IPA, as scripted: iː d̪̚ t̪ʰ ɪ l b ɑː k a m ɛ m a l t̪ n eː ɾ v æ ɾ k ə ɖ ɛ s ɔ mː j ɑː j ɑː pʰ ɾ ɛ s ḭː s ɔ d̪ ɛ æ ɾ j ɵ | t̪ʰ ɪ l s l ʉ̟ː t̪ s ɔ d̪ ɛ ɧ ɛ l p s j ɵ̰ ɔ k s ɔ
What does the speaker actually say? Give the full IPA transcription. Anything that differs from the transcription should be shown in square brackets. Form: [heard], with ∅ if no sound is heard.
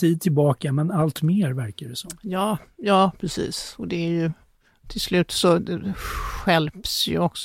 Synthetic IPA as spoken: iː d̪̚ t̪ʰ ɪ l b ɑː k a m ɛ [n] a l t̪ [m] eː ɾ v æ ɾ k [a] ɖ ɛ s ɔ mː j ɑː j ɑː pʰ ɾ ɛ s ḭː s ɔ d̪ ɛ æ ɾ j ɵ | t̪ʰ ɪ l s l ʉ̟ː t̪ s ɔ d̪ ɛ ɧ ɛ l p s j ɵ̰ ɔ k s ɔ